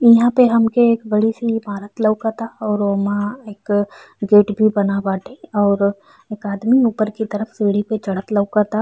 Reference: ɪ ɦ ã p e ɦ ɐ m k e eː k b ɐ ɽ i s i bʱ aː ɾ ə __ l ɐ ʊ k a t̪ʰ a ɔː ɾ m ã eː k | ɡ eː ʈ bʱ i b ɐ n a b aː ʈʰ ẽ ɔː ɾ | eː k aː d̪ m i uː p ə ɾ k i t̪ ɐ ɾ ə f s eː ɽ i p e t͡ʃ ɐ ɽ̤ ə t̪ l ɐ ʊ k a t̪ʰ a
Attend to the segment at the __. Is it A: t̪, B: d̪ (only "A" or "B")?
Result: A